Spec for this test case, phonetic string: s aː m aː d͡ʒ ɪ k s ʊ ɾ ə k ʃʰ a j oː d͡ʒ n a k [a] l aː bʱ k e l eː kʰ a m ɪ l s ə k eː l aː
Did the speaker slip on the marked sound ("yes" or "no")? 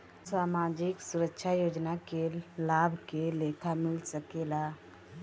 yes